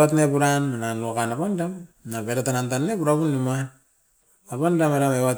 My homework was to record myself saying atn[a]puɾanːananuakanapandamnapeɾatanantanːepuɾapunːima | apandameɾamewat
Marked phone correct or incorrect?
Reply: incorrect